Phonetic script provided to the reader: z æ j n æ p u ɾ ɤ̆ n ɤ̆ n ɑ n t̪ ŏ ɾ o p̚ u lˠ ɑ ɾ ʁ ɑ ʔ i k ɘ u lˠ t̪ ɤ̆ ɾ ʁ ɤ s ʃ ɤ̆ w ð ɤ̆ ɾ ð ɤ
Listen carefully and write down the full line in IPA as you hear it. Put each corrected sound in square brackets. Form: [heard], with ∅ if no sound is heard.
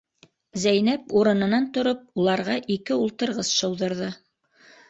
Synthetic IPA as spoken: z æ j n æ p u ɾ ɤ̆ n ɤ̆ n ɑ n t̪ ŏ ɾ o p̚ u lˠ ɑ ɾ ʁ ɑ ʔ i k ɘ u lˠ t̪ ɤ̆ ɾ ʁ ɤ s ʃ ɤ̆ w ð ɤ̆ ɾ ð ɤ